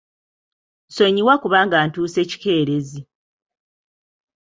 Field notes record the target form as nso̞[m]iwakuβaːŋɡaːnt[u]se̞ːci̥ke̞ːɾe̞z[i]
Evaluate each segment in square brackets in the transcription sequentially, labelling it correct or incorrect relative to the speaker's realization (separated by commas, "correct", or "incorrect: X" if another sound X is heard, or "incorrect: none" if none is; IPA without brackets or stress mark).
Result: incorrect: ɲ, incorrect: uː, correct